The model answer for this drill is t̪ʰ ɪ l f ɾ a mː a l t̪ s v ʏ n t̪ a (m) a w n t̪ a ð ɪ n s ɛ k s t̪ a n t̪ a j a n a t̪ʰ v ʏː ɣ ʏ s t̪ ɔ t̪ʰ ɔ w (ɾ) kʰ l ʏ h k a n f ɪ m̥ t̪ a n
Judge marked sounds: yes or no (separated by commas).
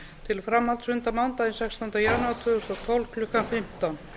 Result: yes, no